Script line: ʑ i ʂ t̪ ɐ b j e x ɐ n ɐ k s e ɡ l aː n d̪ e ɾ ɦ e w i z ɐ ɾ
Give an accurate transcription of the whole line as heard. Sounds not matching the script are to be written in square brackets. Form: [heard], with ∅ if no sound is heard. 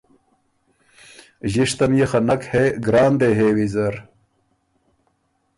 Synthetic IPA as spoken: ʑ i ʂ t̪ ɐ [m] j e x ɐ n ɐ k [h] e ɡ [ɾ] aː n d̪ e [∅] ɦ e w i z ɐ ɾ